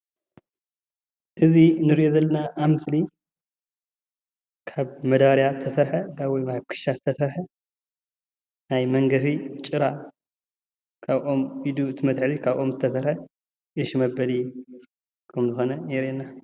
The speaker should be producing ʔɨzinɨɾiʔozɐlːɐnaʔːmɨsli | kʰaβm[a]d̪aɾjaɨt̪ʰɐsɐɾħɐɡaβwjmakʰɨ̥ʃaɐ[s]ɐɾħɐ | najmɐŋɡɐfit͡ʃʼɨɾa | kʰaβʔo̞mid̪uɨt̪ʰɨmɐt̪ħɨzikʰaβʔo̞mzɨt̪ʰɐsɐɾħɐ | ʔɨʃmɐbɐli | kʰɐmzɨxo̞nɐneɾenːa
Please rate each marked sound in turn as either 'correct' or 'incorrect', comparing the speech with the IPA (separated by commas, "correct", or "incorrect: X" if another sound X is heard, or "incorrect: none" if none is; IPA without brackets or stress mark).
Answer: incorrect: ɐ, correct